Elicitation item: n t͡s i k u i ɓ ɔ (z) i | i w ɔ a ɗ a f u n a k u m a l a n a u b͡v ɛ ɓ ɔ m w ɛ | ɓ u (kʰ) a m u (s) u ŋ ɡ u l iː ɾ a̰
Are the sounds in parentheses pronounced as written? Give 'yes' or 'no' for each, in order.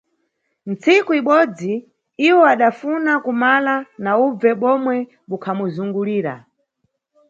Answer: no, yes, no

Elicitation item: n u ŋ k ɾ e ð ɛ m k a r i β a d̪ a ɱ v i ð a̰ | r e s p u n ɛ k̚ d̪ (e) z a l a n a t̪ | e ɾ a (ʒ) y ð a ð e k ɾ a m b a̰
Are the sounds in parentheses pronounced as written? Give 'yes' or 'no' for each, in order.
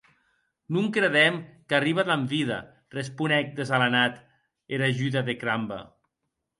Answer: yes, yes

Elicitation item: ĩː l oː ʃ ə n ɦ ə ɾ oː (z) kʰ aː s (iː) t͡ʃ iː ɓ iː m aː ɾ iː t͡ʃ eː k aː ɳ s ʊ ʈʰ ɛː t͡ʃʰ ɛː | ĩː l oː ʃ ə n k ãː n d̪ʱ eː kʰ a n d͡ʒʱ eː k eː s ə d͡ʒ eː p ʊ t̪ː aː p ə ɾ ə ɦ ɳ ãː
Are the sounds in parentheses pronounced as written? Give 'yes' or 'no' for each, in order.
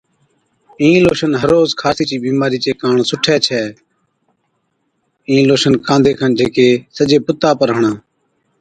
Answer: yes, yes

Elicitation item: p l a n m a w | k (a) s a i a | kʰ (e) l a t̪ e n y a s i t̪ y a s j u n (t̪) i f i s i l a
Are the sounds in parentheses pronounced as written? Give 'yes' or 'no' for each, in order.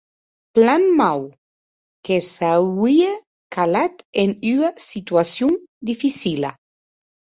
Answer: no, no, no

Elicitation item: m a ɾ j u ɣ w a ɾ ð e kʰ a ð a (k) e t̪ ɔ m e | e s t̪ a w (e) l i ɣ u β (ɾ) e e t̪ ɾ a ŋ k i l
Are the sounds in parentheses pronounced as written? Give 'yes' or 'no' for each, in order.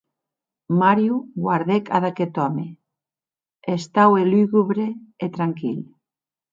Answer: yes, yes, yes

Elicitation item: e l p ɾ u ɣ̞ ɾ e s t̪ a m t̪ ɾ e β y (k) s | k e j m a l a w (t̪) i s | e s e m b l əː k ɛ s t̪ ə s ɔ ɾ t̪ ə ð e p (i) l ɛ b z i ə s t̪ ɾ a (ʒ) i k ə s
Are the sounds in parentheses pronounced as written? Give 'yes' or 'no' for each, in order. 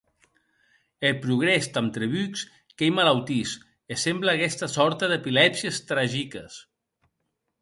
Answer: yes, yes, yes, yes

